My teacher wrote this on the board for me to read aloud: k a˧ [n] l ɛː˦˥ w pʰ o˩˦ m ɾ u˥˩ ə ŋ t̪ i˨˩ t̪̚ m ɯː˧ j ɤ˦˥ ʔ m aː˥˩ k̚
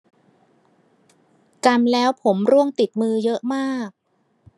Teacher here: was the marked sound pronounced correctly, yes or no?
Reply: no